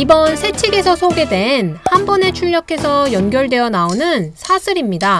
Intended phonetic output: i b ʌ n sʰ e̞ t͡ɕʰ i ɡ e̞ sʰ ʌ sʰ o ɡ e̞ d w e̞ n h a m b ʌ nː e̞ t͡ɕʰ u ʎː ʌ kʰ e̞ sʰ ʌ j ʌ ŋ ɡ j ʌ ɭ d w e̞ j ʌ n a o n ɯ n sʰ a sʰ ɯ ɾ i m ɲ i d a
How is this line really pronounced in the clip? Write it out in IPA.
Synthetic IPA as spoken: i b ʌ n sʰ e̞ t͡ɕʰ i ɡ e̞ sʰ ʌ sʰ o ɡ e̞ d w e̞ n h a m b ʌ n e̞ t͡ɕʰ u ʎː ʌ kʰ e̞ sʰ ʌ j ʌ n ɡ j ʌ ɭ d w e̞ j ʌ n a o n ɯ n sʰ a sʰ ɯ ɾ i m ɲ i d a